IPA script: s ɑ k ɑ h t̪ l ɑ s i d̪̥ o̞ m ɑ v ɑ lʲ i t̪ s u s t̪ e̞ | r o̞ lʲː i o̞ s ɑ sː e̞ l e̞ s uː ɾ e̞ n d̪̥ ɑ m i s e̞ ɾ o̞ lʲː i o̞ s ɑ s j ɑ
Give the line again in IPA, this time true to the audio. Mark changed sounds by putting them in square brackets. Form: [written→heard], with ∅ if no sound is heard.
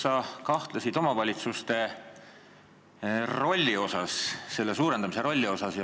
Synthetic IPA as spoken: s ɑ k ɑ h t̪ l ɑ s i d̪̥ o̞ m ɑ v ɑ lʲ i t̪ s u s t̪ e̞ | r o̞ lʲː i o̞ s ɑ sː e̞ [l→lː] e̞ s uː ɾ e̞ n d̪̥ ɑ m i s e̞ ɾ o̞ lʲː i o̞ s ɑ s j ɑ